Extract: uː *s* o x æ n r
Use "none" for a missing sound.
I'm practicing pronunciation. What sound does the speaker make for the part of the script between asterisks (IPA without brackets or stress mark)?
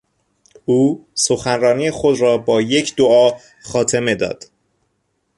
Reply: s